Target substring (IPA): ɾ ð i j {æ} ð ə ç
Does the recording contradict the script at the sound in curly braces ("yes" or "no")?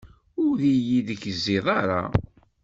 yes